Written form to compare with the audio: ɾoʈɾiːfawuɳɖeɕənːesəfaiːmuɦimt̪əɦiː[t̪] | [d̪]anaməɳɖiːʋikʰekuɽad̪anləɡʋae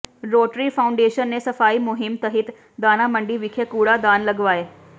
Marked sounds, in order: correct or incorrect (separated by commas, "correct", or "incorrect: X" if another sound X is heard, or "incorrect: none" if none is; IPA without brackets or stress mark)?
correct, correct